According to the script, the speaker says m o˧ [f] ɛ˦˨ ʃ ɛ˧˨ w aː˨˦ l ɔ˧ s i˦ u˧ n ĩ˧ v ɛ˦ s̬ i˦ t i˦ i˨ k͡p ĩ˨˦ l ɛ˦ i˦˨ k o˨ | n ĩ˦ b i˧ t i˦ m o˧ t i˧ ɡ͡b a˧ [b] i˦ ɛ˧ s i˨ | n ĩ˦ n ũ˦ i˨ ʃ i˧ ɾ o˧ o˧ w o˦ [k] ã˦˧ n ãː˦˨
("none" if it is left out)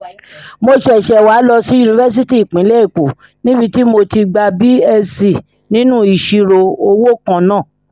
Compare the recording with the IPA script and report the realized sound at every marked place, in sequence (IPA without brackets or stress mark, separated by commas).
ʃ, b, k